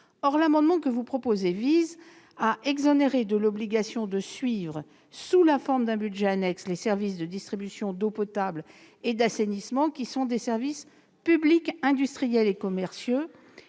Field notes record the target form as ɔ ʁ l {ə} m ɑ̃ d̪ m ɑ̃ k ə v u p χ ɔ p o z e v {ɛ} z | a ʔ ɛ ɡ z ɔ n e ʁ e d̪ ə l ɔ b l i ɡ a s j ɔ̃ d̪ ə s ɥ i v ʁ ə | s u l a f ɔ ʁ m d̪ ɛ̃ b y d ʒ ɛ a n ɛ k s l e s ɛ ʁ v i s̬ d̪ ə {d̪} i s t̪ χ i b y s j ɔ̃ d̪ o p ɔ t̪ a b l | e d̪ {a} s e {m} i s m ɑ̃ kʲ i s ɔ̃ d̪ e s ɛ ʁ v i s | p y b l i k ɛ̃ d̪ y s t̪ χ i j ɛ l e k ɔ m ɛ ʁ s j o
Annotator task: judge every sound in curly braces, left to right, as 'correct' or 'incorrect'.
incorrect: a, incorrect: i, correct, correct, incorrect: n

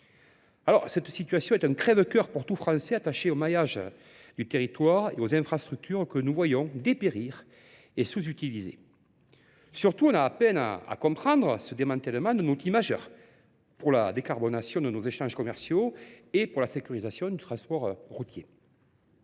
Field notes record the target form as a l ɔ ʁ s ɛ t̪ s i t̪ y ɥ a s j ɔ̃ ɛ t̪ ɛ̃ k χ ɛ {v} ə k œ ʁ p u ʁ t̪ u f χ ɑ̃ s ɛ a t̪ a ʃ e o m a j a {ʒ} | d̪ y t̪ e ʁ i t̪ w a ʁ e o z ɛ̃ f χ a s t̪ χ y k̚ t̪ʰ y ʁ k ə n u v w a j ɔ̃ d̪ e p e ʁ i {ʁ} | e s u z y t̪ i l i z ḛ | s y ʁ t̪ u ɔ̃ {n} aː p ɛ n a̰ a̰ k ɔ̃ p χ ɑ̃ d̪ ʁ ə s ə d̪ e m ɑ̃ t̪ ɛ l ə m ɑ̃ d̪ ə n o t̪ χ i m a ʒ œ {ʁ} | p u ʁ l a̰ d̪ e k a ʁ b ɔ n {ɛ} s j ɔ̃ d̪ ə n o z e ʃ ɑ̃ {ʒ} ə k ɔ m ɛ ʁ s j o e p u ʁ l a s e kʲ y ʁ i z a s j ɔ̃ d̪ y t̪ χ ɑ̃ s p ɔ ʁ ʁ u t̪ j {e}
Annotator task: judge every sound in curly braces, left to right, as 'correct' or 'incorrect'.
correct, correct, correct, correct, correct, incorrect: a, correct, correct

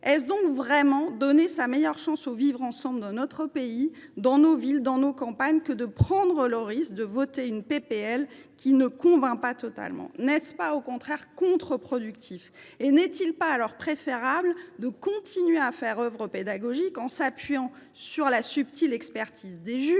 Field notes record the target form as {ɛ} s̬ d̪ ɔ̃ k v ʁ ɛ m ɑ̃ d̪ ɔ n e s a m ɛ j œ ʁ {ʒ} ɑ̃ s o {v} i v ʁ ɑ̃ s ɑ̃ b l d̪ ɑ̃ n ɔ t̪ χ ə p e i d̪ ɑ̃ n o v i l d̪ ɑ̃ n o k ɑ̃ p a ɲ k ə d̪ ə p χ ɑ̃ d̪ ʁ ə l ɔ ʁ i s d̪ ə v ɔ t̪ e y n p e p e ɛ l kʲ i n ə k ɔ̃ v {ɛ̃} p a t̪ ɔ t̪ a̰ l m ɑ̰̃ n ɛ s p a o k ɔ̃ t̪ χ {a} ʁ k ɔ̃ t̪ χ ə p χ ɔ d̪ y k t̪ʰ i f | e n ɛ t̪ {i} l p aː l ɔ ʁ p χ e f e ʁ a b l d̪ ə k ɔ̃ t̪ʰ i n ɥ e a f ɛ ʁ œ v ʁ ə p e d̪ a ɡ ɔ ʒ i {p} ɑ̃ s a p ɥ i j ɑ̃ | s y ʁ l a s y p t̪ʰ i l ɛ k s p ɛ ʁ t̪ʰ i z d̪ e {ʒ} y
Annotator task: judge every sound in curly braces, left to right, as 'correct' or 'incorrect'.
correct, incorrect: ʃ, correct, correct, incorrect: ɛ, correct, incorrect: k, correct

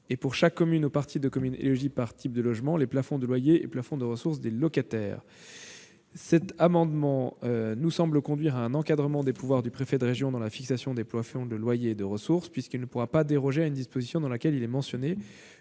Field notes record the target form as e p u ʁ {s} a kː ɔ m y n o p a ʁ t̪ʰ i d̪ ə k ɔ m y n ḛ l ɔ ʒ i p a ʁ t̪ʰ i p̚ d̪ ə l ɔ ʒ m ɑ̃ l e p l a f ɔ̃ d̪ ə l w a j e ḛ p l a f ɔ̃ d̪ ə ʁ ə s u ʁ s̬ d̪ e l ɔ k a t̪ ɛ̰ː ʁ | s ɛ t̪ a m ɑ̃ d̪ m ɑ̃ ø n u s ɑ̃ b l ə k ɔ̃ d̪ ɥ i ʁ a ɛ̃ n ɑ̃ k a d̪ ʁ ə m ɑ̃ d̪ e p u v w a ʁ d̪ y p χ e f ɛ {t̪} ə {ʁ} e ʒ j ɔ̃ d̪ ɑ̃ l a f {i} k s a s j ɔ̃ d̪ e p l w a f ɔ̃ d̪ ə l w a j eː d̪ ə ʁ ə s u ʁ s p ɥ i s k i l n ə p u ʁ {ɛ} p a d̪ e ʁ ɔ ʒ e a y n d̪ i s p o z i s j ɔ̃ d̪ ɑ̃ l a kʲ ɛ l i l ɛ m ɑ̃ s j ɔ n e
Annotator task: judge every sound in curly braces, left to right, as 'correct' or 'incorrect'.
incorrect: ʃ, incorrect: d̪, correct, correct, incorrect: a

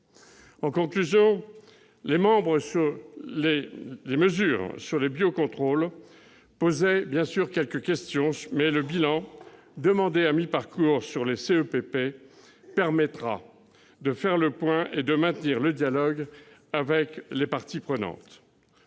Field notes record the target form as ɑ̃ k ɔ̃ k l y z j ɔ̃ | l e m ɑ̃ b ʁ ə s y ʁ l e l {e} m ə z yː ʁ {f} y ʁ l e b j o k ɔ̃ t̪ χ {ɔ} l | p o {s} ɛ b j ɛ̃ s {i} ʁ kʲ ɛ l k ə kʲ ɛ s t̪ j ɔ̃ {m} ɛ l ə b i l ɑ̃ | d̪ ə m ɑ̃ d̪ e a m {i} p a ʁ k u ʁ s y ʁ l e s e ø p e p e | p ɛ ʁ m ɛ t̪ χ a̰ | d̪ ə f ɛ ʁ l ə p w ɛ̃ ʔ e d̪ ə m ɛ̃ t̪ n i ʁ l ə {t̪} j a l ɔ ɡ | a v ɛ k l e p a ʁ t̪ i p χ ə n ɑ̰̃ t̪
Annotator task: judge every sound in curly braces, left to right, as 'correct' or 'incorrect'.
correct, incorrect: s, incorrect: o, incorrect: z, incorrect: y, correct, correct, incorrect: d̪

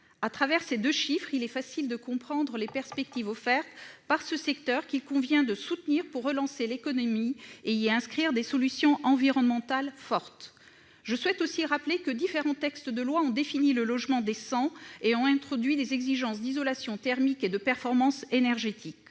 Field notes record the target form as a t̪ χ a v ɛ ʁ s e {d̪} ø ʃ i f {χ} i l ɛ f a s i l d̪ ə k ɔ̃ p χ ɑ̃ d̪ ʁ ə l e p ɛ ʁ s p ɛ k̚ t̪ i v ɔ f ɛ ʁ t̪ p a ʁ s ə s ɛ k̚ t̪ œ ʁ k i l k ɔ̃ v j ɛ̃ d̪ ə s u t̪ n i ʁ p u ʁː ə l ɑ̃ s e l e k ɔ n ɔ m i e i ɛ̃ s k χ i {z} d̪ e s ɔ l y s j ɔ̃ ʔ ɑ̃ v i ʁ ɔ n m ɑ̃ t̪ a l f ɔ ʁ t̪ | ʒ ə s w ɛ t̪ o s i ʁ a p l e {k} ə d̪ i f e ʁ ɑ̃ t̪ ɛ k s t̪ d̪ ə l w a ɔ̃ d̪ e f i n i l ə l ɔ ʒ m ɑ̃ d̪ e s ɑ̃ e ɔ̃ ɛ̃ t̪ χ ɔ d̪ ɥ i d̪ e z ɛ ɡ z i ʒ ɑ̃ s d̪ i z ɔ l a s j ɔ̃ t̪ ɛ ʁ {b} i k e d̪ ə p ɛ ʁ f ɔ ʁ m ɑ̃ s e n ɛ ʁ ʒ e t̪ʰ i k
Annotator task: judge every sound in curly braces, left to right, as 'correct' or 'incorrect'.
correct, correct, incorrect: ʁ, correct, incorrect: m

